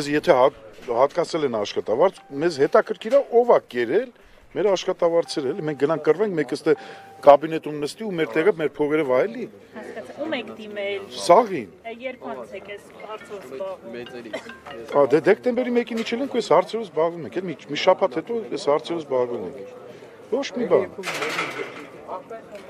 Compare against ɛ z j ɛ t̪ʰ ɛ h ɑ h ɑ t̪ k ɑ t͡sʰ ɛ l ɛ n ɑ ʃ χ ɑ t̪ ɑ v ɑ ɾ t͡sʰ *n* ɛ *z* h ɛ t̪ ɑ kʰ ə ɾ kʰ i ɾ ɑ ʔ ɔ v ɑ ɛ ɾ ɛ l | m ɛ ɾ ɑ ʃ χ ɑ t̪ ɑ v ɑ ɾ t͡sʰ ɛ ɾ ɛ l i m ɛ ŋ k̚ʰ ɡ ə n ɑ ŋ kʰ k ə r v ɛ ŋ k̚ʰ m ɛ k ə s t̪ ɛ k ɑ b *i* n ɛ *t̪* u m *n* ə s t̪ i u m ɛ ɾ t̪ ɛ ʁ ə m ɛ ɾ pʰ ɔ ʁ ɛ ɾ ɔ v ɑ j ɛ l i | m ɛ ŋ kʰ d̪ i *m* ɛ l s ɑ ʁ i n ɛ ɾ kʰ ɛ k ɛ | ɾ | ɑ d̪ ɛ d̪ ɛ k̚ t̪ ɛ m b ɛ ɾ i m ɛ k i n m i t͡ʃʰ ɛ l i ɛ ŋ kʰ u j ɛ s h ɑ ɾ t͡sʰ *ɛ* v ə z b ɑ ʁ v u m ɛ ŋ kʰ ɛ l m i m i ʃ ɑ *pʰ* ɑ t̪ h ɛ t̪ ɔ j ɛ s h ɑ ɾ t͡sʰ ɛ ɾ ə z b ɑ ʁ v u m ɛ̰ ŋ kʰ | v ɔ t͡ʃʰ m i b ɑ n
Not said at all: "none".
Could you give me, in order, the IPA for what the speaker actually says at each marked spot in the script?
m, z, i, t̪, n, m, ɛ, pʰ

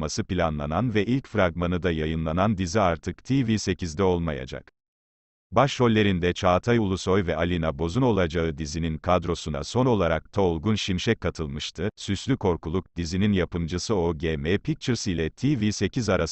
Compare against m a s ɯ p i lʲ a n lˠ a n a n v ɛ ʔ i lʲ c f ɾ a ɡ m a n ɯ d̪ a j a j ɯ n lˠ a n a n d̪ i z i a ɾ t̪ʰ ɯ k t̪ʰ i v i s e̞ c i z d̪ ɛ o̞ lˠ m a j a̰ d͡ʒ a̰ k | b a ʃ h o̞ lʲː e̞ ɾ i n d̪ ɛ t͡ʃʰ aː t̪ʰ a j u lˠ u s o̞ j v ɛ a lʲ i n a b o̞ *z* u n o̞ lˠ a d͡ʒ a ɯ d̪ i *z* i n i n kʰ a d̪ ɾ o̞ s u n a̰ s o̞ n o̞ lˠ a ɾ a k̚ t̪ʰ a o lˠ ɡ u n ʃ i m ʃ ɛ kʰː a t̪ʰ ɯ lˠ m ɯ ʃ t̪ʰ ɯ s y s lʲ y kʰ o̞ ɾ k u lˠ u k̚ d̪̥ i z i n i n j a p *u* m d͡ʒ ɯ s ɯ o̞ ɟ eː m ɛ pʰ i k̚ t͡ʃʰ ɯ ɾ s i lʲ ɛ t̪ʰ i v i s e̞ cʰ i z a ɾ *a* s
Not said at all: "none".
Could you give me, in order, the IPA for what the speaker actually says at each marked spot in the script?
z, z, ɯ, a

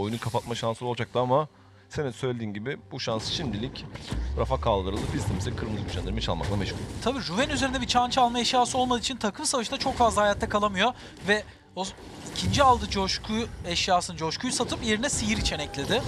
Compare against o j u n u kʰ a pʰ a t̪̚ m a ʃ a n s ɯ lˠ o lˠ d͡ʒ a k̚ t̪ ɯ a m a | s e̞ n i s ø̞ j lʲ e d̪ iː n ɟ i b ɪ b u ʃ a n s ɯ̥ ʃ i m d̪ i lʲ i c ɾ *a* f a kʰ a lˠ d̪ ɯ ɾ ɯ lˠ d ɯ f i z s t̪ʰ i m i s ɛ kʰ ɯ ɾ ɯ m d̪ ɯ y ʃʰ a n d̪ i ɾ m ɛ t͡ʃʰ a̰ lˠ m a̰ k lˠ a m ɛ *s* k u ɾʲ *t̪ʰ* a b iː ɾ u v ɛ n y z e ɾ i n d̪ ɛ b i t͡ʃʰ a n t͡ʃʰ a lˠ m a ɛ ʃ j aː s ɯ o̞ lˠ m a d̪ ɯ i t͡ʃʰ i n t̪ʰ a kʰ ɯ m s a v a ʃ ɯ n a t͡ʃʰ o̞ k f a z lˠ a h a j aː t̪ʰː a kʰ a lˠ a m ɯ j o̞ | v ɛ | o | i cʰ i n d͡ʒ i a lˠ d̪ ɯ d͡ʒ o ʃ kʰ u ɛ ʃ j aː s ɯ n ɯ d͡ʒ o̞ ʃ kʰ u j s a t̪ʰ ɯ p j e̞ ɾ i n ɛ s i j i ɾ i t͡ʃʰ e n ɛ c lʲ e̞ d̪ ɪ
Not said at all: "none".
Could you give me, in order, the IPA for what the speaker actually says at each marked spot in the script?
a, ʃ, t̪ʰ

